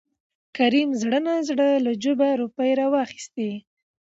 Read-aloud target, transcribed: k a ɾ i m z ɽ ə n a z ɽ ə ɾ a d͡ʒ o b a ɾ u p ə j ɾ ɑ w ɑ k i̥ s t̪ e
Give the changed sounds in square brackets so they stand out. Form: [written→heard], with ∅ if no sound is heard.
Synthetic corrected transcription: k a ɾ i m z ɽ ə n a z ɽ ə [ɾ→l] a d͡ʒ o b a ɾ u p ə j ɾ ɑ w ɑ [k→x] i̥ s t̪ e